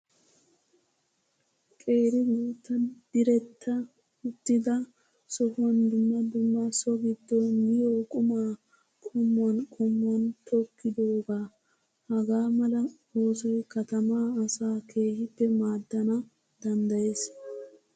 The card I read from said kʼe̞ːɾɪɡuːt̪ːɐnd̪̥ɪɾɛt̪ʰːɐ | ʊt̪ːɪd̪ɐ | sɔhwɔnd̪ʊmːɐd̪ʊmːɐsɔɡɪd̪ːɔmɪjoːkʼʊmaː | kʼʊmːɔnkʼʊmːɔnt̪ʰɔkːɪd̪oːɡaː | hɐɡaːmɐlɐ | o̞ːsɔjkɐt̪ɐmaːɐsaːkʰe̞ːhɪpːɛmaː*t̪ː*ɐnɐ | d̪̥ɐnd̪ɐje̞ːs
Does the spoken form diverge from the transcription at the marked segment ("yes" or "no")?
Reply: yes